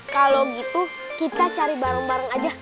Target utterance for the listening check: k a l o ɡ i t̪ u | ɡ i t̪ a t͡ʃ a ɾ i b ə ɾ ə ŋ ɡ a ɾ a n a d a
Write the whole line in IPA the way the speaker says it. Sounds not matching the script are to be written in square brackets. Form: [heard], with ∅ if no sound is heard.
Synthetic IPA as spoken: k a l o ɡ i t̪ u | [k] i t̪ a t͡ʃ a ɾ i b [a] ɾ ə ŋ [b] a ɾ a [ŋ] a [d͡ʒ] a

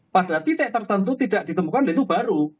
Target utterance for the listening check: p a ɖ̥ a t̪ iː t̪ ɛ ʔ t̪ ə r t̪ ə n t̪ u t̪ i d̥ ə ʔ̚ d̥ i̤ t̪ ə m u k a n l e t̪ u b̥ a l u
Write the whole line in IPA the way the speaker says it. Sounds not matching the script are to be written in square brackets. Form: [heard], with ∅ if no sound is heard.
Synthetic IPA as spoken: p a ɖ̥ a t̪ [i] t̪ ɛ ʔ t̪ ə r t̪ ə n t̪ u t̪ i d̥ [a] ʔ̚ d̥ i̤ t̪ ə m u k a n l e t̪ u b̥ a [ɾ] u

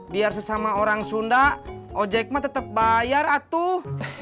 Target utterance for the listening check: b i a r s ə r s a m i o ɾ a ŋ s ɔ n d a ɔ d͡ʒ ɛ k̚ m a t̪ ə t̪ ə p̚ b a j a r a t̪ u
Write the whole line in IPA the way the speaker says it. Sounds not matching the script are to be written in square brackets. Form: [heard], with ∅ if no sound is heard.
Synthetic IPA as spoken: b i a r s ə [∅] s a m [a] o ɾ a ŋ s [u] n d a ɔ d͡ʒ ɛ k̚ m a t̪ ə t̪ ə p̚ b a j a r a t̪ u

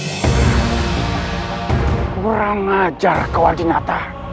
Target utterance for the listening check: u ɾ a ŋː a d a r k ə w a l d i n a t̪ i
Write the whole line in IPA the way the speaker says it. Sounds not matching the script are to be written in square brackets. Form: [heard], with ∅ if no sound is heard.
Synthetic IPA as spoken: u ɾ a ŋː a [d͡ʒ] a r k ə w a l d i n a t̪ [a]

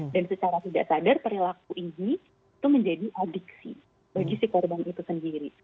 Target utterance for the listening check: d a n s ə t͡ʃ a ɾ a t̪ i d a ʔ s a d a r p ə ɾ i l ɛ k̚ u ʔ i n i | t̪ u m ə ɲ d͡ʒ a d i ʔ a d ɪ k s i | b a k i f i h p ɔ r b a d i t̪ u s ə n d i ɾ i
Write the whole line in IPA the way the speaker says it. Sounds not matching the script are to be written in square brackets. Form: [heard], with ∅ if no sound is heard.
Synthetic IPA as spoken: d a n s ə t͡ʃ a ɾ a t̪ i d a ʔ s a d a r p ə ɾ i l [a] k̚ u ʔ i n i | t̪ u m ə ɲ d͡ʒ a d i ʔ a d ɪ k s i | b a [ɡ] i [s] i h [k] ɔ r b a [n] i t̪ u s ə n d i ɾ i

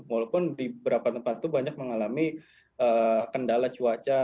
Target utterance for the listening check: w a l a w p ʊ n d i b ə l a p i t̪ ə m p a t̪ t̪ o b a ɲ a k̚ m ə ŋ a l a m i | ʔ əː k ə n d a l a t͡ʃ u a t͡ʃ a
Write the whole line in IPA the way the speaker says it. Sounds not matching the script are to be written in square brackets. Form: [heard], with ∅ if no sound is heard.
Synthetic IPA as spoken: w a l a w p ʊ n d i b ə [ɾ] a p [a] t̪ ə m p a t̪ t̪ [u] b a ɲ a k̚ m ə ŋ a l a m i | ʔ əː k ə n d a l a t͡ʃ u a t͡ʃ a

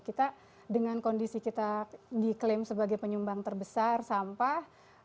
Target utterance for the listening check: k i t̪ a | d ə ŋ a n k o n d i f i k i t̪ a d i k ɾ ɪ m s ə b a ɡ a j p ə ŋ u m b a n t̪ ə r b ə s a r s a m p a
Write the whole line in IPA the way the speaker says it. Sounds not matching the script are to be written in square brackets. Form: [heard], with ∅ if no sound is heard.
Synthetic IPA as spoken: k i t̪ a | d ə ŋ a n k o n d i [s] i k i t̪ a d i k [l] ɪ m s ə b a ɡ a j p ə [ɲ] u m b a [ŋ] t̪ ə r b ə s a r s a m p a

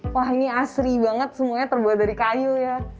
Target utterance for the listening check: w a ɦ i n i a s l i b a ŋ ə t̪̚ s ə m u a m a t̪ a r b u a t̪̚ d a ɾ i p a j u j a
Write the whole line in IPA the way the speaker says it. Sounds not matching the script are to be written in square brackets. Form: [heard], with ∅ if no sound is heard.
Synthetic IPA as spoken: w a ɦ i n i a s [ɾ] i b a ŋ ə t̪̚ s ə m u a [ɲ] a t̪ [ə] r b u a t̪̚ d a ɾ i [k] a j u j a

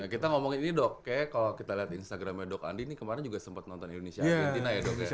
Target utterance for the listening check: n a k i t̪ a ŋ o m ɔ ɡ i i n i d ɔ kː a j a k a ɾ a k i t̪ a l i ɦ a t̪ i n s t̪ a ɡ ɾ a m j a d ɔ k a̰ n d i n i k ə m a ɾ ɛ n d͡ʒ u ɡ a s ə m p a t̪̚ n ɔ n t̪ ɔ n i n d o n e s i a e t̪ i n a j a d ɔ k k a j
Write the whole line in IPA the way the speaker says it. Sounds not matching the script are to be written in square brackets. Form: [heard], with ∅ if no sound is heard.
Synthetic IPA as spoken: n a k i t̪ a ŋ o m ɔ [ŋ] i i n i d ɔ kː a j a k a [l] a k i t̪ a l i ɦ a t̪ i n s t̪ a ɡ ɾ a m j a d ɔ k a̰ n d i n i k ə m a ɾ ɛ n d͡ʒ u ɡ a s ə m p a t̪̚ n ɔ n t̪ ɔ n i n d o n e s i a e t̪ i n a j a d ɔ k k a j

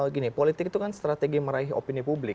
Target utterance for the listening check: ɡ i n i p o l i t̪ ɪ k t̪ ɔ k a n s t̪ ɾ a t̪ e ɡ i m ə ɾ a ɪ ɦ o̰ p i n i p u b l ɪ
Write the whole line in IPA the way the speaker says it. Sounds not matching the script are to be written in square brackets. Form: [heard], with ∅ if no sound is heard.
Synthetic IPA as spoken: ɡ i n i p o l i t̪ ɪ k t̪ [u] k a n s t̪ ɾ a t̪ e ɡ i m ə ɾ a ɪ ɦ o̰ p i n i p u b l ɪ

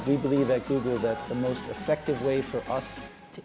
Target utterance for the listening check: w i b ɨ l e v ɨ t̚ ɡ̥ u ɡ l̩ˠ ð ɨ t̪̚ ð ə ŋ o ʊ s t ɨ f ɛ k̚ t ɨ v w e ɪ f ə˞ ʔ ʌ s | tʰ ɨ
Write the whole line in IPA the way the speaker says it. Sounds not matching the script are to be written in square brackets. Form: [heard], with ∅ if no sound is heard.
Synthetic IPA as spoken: w i b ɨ l [i] v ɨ t̚ ɡ̥ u ɡ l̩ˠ ð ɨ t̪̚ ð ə [m] o ʊ s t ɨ f ɛ k̚ t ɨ v w e ɪ f ə˞ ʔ ʌ s | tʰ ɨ

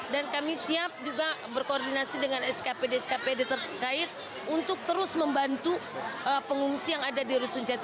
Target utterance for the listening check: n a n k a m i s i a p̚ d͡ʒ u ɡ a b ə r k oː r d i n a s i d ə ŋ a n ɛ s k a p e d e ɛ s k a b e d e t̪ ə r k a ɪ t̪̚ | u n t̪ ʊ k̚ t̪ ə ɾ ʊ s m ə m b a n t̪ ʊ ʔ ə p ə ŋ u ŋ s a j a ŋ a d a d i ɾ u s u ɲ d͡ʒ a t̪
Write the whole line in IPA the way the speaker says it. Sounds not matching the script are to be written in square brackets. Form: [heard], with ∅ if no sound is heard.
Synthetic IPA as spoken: [d] a n k a m i s i a p̚ d͡ʒ u ɡ a b ə r k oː r d i n a s i d ə ŋ a n ɛ s k a p e d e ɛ s k a [p] e d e t̪ ə r k a ɪ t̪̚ | u n t̪ ʊ k̚ t̪ ə ɾ ʊ s m ə m b a n t̪ [u] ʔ ə p ə ŋ u ŋ s [i] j a ŋ a d a d i ɾ u s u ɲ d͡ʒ a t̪

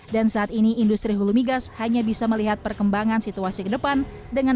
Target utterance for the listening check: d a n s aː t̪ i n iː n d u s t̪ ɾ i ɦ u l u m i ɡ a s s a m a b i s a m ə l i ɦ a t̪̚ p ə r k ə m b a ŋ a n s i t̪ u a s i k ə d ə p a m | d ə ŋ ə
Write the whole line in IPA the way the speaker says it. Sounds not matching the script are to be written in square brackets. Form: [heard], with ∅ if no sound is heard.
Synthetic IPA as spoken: d a n s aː t̪ i n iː n d u s t̪ ɾ i ɦ u l u m i ɡ a s [h] a [ɲ] a b i s a m ə l i ɦ a t̪̚ p ə r k ə m b a ŋ a n s i t̪ u a s i k ə d ə p a [n] | d ə ŋ [a]

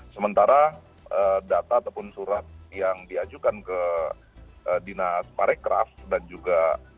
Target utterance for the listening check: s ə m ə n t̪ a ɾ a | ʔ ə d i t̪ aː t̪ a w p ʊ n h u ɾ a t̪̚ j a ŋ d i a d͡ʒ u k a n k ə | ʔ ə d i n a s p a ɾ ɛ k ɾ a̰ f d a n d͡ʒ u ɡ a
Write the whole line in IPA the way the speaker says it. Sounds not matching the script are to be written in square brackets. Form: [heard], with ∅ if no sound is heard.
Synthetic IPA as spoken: s ə m ə n t̪ a ɾ a | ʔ ə d [a] t̪ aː t̪ a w p ʊ n [s] u ɾ a t̪̚ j a ŋ d i a d͡ʒ u k a n k ə | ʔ ə d i n a s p a ɾ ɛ k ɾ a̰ f d a n d͡ʒ u ɡ a

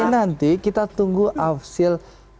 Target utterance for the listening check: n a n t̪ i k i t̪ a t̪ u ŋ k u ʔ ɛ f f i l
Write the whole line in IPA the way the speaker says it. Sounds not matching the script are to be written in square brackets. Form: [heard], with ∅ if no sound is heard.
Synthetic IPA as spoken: n a n t̪ i k i t̪ a t̪ u ŋ [ɡ] u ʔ [a] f [s] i l

